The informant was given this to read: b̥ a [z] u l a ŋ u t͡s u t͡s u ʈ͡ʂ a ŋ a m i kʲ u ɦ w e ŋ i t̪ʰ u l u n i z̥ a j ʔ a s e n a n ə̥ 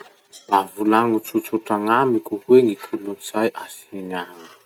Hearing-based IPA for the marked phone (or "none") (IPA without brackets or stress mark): v